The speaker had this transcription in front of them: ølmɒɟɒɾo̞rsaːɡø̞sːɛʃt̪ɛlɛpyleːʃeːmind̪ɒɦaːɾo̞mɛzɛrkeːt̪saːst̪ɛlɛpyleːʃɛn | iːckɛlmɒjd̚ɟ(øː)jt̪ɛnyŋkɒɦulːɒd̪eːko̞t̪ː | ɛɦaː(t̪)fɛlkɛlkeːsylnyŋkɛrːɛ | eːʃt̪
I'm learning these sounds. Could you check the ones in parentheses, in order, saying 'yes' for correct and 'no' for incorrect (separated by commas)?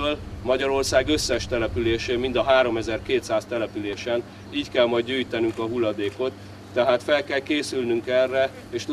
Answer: no, yes